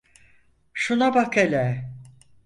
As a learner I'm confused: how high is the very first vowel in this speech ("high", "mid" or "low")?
high